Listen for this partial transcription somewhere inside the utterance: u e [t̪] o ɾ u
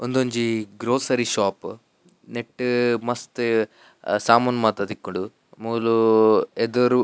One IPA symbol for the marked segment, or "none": d̪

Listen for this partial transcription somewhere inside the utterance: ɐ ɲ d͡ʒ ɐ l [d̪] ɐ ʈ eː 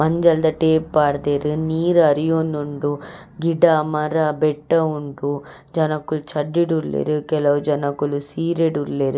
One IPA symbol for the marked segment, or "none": d̪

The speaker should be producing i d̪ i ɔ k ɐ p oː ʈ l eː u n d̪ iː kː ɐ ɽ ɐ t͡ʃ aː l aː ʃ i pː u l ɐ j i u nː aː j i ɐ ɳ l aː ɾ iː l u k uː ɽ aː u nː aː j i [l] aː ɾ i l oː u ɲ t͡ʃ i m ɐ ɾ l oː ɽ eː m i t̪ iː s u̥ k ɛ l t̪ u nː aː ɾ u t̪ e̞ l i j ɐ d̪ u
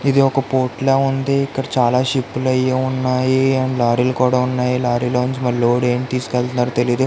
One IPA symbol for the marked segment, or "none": l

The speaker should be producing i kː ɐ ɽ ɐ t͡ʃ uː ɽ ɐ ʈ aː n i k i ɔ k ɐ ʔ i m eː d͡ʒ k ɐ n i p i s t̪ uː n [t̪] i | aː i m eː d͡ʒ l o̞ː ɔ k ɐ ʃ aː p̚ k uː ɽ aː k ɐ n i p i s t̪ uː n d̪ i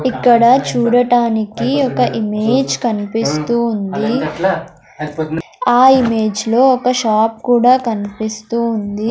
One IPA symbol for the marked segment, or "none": d̪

